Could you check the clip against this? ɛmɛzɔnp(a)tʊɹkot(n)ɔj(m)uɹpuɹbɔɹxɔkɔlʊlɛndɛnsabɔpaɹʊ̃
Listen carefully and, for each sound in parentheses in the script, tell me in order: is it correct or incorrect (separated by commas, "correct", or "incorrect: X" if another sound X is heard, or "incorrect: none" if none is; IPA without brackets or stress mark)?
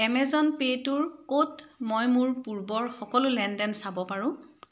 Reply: incorrect: e, incorrect: m, correct